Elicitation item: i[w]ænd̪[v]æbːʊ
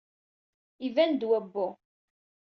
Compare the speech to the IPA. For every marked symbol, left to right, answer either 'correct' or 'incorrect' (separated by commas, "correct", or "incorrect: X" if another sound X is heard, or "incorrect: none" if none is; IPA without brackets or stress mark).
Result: incorrect: v, incorrect: w